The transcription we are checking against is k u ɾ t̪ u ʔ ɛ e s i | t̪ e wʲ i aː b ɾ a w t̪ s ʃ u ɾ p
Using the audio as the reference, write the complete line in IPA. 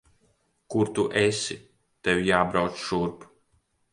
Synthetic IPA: k u ɾ t̪ u ʔ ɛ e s i | t̪ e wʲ j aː b ɾ a w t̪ s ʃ u ɾ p